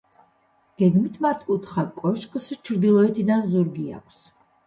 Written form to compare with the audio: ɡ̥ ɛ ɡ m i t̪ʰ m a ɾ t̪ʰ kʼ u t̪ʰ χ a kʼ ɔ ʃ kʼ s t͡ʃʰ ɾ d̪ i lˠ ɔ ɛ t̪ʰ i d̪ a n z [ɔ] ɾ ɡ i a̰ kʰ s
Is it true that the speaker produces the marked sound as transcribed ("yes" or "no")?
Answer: no